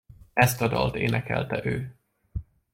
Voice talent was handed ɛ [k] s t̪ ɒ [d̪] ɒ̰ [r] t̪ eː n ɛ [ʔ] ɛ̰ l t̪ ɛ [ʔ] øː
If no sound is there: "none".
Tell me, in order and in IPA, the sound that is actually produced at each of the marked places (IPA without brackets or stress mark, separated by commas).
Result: none, d̪, l, k, ʔ